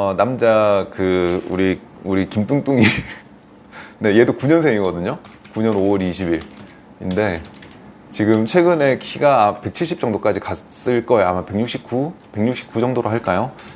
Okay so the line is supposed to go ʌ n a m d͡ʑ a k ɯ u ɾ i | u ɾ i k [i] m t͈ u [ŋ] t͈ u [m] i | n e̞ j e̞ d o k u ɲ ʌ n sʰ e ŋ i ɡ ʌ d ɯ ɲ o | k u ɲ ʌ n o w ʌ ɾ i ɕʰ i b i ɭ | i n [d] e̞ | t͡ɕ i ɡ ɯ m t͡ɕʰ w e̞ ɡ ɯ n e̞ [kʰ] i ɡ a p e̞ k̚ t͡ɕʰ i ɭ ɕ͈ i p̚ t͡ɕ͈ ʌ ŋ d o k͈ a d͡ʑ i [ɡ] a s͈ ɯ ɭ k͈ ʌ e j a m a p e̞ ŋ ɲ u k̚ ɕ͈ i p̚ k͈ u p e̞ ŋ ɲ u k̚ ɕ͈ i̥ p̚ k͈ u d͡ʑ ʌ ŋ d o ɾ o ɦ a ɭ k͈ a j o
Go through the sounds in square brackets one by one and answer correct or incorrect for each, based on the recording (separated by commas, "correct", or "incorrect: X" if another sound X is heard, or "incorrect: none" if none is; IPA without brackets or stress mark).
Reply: correct, correct, incorrect: ŋ, correct, correct, incorrect: k